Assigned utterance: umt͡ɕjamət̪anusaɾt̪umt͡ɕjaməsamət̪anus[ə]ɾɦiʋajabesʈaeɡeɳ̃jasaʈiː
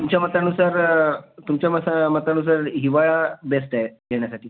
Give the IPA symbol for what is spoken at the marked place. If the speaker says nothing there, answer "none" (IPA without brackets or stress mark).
a